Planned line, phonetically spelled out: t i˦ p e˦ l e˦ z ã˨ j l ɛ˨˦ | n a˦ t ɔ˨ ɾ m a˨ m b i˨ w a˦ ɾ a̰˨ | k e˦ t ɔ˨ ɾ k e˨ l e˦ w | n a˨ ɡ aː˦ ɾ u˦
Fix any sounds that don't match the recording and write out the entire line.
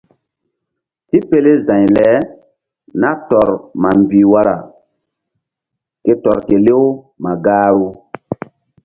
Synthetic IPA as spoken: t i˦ p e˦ l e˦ z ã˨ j l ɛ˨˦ | n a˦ t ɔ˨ ɾ m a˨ m b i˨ w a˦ ɾ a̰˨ | k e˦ t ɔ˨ ɾ k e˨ l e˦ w | m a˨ ɡ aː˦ ɾ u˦